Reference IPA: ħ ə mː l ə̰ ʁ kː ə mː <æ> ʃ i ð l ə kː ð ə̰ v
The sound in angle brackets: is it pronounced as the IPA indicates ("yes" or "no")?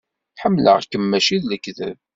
yes